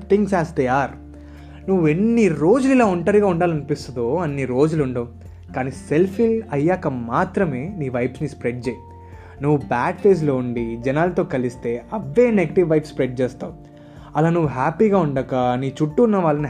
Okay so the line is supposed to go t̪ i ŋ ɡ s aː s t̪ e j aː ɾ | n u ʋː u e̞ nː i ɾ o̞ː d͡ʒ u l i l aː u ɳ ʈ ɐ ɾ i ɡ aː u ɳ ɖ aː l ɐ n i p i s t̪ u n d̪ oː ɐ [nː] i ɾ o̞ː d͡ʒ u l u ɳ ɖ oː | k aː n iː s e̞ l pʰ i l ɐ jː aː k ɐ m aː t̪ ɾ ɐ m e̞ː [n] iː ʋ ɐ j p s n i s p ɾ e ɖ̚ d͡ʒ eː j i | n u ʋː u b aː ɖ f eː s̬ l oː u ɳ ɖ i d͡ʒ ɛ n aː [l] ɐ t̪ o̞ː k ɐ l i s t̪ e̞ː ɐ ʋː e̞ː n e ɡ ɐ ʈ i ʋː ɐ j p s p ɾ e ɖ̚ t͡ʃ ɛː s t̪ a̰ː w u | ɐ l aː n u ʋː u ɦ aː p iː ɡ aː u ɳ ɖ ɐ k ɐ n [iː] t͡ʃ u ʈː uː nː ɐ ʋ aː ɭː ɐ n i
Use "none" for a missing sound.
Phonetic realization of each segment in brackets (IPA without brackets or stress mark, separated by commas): nː, n, l, iː